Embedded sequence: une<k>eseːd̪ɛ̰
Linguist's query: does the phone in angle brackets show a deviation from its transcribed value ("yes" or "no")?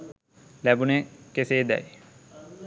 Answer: no